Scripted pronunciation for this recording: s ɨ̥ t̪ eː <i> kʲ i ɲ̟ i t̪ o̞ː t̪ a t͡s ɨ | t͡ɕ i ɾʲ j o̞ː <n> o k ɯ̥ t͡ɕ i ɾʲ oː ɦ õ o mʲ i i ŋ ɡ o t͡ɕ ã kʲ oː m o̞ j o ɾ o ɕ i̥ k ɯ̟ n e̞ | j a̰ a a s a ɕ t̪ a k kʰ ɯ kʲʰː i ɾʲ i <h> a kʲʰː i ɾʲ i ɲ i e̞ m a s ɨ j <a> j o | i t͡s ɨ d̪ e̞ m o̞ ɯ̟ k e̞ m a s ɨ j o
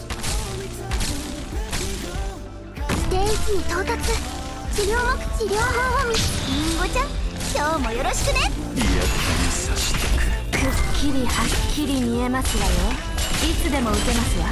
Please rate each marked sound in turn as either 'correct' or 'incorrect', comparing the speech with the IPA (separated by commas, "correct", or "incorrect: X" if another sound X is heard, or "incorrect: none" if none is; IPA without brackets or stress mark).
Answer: correct, incorrect: m, correct, correct